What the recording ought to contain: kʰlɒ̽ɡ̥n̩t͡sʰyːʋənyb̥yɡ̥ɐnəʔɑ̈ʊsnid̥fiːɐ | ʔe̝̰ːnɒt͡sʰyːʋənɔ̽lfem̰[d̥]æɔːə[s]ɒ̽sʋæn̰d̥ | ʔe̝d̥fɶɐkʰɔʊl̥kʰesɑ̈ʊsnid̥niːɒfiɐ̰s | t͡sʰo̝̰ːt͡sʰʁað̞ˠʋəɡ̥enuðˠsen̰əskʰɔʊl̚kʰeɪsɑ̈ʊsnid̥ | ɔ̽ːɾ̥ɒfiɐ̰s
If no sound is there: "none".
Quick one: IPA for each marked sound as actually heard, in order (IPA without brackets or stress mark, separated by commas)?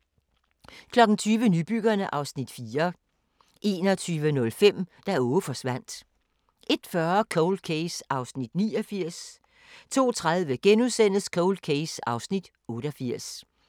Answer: d̥, f